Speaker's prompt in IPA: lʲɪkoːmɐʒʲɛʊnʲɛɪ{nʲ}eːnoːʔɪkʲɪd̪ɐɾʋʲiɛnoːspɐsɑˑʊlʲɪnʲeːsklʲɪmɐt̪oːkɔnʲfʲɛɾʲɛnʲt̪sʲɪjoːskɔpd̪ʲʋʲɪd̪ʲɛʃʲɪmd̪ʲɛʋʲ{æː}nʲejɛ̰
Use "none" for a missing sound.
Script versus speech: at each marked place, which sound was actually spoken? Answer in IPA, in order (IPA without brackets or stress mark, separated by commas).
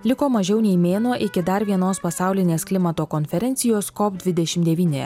mʲ, iː